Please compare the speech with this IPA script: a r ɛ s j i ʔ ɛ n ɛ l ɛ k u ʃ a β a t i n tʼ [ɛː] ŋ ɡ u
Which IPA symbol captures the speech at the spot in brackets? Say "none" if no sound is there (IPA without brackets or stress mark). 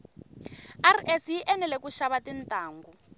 aː